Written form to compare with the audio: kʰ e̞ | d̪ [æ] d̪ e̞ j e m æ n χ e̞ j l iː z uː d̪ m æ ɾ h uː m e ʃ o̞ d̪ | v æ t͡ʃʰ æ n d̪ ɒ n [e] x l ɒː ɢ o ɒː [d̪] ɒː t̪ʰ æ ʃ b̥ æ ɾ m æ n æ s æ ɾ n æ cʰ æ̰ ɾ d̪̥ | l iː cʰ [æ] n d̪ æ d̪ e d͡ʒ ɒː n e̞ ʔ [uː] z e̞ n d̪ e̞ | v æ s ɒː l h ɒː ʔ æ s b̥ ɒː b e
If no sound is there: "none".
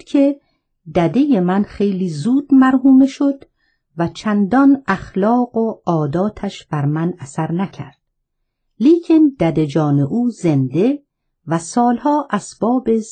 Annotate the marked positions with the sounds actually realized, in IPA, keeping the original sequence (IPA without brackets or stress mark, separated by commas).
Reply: æ, æ, d̪, e, uː